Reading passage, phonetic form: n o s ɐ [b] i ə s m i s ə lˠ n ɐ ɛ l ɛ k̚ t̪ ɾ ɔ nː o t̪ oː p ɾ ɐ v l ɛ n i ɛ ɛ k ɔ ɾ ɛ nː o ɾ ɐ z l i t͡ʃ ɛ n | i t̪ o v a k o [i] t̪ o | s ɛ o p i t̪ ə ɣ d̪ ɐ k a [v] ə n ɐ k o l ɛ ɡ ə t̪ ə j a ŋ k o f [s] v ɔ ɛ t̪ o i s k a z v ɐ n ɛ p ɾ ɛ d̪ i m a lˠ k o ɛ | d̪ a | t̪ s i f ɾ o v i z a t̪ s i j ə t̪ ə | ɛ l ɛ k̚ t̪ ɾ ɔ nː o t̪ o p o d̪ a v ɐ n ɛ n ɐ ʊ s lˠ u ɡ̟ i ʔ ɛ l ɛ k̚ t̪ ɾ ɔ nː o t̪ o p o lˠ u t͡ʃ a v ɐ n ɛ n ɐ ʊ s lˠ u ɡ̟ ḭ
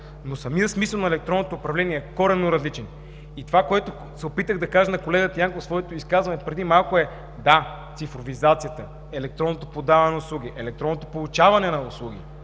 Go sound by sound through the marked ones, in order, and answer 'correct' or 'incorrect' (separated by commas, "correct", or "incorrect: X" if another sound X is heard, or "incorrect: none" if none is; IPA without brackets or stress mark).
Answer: incorrect: m, incorrect: ɛ, incorrect: ʒ, correct